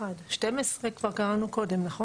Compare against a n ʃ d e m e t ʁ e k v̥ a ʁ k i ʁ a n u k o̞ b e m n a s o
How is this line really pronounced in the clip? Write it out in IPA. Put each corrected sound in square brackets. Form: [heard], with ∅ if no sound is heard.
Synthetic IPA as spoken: a [d] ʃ [t] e m e [s] ʁ e k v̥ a ʁ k [a] ʁ a n u k o̞ [d] e m n a [χ] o